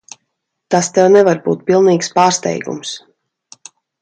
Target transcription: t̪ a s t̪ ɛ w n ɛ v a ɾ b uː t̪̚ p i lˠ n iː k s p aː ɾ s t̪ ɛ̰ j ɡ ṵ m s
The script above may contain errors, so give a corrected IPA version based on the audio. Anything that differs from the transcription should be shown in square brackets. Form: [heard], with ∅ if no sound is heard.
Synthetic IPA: t̪ a s t̪ ɛ w n ɛ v a ɾ b uː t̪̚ p i lˠ n iː k s p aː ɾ s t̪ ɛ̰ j ɡ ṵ m s